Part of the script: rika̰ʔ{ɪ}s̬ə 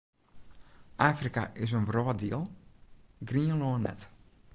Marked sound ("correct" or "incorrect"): correct